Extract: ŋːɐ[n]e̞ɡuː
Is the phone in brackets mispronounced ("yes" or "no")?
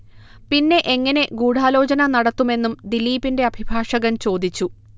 no